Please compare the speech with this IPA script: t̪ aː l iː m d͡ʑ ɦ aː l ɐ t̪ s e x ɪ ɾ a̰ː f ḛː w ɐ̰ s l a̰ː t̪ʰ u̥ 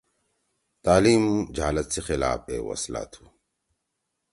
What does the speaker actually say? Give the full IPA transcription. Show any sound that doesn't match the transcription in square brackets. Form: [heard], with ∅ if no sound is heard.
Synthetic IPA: t̪ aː l iː m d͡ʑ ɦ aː l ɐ t̪ s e x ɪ [l] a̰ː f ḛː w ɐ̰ s l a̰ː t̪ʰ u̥